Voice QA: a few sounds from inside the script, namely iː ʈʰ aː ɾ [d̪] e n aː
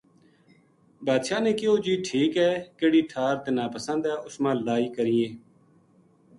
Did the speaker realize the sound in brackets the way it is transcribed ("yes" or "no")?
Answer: no